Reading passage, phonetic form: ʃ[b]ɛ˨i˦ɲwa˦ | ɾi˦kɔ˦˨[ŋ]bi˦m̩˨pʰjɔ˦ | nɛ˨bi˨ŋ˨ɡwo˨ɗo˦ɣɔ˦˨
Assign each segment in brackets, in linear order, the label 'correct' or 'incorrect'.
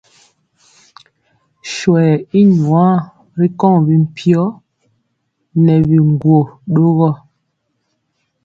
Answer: incorrect: w, correct

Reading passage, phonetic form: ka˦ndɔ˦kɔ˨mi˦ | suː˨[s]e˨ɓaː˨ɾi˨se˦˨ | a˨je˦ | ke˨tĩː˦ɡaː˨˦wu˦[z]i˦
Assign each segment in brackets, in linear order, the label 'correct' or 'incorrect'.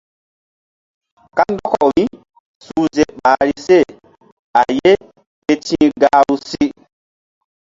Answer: incorrect: z, incorrect: s

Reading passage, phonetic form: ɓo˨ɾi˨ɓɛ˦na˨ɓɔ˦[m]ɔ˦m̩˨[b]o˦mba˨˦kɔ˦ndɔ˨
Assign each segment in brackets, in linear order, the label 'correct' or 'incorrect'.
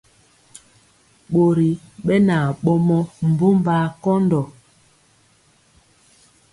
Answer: correct, correct

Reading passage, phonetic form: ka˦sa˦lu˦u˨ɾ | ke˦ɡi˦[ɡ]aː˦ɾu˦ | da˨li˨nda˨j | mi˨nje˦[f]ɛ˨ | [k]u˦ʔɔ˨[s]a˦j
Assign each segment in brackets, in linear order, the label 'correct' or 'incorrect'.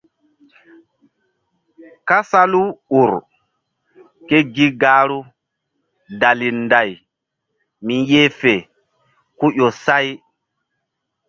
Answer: correct, correct, correct, correct

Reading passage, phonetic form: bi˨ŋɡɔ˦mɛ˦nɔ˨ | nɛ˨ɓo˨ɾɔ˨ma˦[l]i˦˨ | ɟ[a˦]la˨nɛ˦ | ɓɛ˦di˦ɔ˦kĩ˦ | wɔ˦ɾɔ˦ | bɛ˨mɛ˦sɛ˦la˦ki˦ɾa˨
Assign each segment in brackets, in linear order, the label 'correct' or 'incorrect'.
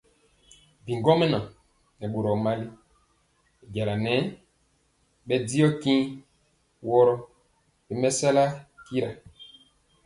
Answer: correct, incorrect: a˨

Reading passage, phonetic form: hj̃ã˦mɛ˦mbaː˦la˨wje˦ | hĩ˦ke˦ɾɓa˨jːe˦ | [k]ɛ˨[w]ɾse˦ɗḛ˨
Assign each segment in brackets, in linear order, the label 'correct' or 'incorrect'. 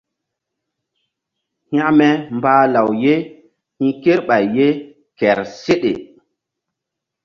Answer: correct, incorrect: none

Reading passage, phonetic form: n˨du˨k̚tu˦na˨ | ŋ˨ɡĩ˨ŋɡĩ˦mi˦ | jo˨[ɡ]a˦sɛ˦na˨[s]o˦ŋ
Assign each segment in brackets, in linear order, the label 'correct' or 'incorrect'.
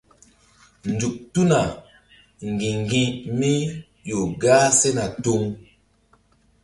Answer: correct, incorrect: t

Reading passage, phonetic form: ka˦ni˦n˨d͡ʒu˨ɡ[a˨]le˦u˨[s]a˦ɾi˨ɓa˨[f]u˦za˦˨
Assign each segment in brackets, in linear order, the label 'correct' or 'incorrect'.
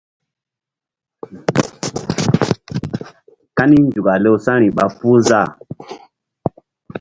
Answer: correct, correct, correct

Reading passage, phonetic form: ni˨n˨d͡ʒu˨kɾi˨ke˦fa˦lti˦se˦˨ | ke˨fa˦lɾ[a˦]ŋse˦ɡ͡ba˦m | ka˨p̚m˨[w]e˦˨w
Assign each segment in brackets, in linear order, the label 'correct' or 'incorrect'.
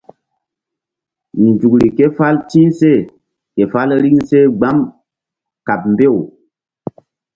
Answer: incorrect: i˦, incorrect: b

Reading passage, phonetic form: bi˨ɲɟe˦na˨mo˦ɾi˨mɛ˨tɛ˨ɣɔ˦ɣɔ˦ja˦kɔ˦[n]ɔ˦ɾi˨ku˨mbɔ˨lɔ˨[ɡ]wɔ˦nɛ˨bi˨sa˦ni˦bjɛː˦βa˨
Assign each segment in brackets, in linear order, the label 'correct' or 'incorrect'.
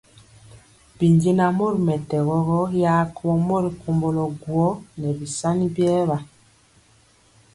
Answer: incorrect: m, correct

